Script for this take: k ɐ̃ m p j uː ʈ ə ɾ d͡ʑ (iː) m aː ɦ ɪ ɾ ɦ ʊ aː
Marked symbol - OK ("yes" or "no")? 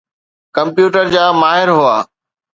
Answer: no